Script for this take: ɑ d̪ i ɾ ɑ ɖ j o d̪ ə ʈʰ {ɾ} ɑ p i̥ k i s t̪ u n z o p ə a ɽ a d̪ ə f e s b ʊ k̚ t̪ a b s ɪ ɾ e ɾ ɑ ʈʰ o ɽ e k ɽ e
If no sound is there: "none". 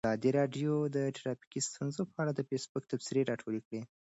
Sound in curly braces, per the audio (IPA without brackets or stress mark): ɾ